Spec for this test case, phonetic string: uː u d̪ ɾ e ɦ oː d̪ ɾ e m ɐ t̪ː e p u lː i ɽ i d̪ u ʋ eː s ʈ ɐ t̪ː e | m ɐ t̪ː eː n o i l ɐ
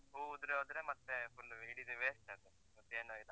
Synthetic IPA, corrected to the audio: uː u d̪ ɾ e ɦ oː d̪ ɾ e m ɐ t̪ː e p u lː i ɽ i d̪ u ʋ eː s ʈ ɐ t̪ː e | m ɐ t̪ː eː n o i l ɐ